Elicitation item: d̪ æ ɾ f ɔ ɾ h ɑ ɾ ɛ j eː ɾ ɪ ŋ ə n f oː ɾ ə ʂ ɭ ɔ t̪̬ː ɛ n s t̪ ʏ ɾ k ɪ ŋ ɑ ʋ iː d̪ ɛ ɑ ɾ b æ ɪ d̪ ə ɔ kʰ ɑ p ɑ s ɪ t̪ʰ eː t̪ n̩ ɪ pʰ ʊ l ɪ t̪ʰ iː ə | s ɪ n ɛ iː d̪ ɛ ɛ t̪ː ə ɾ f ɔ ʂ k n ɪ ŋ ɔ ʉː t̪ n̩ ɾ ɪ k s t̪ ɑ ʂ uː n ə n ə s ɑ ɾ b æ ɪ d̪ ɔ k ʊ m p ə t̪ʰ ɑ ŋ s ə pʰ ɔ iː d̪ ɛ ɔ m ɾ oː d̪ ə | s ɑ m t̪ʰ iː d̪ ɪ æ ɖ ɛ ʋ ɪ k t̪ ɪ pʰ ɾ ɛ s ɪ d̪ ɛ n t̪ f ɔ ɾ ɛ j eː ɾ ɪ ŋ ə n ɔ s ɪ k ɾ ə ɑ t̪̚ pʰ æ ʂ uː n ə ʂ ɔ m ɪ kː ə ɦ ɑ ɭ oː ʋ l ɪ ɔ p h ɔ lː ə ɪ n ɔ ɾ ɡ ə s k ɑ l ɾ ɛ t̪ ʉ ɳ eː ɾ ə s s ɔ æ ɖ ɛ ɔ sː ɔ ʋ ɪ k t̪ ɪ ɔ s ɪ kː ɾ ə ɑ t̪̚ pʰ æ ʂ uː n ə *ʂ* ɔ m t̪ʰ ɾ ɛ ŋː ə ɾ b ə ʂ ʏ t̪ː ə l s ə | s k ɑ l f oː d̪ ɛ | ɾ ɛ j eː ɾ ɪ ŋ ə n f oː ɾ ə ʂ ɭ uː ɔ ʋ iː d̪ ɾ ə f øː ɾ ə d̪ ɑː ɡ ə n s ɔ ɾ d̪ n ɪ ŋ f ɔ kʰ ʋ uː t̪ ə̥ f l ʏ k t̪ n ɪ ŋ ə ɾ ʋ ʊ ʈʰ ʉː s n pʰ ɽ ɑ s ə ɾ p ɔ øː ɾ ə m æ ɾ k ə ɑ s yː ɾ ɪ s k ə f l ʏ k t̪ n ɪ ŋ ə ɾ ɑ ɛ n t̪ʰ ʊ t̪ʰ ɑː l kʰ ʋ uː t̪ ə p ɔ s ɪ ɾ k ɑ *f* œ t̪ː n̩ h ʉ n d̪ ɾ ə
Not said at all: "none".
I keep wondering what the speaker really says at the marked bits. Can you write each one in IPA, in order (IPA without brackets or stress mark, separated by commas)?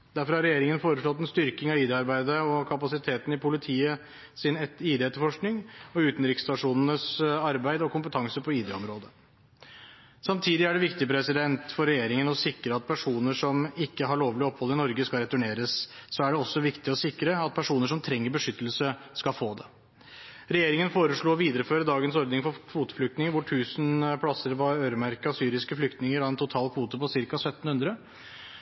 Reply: ʂ, s